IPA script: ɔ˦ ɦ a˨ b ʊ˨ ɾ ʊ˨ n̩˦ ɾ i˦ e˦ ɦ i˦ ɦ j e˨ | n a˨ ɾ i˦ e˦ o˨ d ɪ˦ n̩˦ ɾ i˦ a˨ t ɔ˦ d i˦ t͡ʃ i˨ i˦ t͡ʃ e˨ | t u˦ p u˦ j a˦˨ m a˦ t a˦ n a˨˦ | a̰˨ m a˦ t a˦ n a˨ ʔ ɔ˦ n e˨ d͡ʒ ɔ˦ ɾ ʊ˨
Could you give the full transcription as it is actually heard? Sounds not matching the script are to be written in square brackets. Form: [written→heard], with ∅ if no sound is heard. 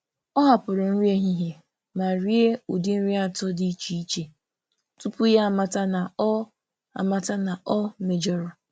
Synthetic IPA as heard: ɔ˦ ɦ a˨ [b→p] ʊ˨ ɾ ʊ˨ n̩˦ ɾ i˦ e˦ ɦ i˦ ɦ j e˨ | [n→m] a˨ ɾ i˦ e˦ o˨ d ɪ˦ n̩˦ ɾ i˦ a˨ t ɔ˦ d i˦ t͡ʃ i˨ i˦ t͡ʃ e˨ | t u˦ p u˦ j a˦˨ m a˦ t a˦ n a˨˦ | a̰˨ m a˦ t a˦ n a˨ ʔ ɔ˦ [n→m] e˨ d͡ʒ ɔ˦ ɾ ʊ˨

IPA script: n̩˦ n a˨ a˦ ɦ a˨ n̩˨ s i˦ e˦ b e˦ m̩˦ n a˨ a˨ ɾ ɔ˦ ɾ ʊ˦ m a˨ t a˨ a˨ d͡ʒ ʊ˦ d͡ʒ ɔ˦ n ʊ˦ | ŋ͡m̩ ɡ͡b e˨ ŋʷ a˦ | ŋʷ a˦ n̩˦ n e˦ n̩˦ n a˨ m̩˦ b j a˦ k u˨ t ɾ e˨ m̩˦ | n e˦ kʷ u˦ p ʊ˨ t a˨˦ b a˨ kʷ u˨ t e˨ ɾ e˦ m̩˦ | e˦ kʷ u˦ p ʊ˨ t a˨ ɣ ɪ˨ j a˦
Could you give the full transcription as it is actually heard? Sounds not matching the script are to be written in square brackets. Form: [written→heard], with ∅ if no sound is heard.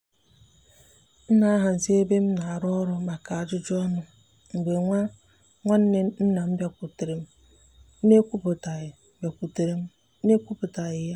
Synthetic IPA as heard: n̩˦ n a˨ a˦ ɦ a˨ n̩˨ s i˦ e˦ b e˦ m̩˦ n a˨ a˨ ɾ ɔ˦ ɾ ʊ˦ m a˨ [t→k] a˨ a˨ d͡ʒ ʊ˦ d͡ʒ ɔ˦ n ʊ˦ | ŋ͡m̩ ɡ͡b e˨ ŋʷ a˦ | ŋʷ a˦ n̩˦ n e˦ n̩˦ n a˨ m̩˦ b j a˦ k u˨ t ɾ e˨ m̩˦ | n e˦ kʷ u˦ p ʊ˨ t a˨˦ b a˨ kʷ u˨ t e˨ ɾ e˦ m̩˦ | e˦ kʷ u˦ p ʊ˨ t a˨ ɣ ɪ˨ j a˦

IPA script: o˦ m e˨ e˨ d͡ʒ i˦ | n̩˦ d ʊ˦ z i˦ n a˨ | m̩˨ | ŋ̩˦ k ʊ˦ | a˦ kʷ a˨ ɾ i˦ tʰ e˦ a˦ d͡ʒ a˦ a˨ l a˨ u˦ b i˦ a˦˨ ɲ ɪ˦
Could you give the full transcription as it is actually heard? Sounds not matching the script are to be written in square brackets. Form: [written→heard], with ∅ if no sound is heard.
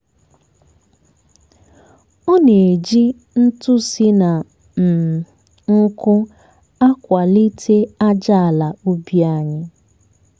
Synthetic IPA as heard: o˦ [m→n] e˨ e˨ d͡ʒ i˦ | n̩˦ [d→t] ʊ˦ [z→s] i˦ n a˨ | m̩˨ | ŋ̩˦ k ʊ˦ | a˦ kʷ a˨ [ɾ→l] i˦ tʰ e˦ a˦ d͡ʒ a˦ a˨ l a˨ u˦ b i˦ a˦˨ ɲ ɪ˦

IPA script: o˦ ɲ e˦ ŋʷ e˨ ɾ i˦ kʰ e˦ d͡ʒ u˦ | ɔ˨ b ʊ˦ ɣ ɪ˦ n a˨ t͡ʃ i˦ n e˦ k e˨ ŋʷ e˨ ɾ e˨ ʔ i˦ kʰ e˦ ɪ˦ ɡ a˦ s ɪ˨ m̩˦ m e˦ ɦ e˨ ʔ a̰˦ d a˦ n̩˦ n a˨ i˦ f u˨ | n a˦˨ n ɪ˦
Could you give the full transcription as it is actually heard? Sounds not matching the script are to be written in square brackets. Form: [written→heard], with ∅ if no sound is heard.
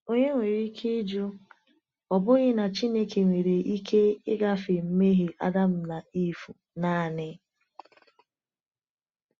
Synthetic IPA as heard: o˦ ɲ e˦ ŋʷ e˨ ɾ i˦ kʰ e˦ d͡ʒ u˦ | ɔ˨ b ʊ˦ ɣ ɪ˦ n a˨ t͡ʃ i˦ n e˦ k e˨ ŋʷ e˨ ɾ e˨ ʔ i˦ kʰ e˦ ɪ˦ ɡ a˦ [s→f] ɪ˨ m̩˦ m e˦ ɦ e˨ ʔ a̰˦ d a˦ [n̩˦→m̩˦] n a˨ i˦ f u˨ | n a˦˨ n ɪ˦

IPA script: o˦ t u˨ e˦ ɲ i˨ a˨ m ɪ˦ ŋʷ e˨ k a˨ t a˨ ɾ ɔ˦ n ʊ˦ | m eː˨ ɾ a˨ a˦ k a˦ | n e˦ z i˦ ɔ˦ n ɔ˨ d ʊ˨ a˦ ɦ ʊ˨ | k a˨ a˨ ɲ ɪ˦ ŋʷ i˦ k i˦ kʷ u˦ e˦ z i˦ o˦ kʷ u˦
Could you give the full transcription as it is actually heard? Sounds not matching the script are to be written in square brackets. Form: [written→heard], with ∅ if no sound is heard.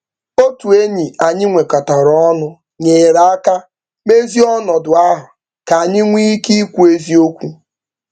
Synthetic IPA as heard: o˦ t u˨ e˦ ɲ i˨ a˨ [m→ɲ] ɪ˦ ŋʷ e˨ k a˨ t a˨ ɾ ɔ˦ n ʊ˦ | [m→ɲ] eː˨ ɾ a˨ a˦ k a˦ | [n→m] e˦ z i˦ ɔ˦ n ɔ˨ d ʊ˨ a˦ ɦ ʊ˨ | k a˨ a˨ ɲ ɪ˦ ŋʷ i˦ k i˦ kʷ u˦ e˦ z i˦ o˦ kʷ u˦

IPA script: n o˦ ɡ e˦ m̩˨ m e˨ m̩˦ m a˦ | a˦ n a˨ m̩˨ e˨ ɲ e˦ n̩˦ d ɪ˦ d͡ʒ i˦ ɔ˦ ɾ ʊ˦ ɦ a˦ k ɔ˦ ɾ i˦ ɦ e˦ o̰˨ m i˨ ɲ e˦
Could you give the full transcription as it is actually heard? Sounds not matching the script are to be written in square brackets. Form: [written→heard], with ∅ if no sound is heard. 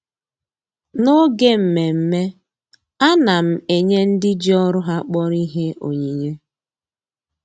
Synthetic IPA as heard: n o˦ ɡ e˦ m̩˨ m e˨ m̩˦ m [a˦→e˦] | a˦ n a˨ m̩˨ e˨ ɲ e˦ n̩˦ d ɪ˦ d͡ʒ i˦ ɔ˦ ɾ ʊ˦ ɦ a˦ [k→k͡p] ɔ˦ ɾ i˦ ɦ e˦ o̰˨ [m→ɲ] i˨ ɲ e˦

